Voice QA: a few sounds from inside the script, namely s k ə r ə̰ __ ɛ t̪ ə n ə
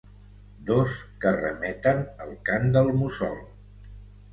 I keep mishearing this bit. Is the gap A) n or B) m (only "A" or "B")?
B